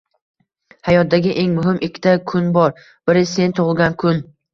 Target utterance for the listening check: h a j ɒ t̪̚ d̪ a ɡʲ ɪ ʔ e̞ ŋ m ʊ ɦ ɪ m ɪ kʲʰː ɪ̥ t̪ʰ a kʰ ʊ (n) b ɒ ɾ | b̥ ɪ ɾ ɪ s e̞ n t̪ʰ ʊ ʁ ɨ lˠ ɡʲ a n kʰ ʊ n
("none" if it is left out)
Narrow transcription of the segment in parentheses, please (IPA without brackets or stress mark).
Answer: n